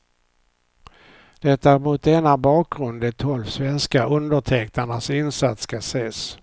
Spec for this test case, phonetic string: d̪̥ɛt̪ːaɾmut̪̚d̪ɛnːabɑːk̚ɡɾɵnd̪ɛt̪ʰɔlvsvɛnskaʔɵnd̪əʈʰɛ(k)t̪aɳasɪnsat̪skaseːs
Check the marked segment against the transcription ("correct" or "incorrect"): correct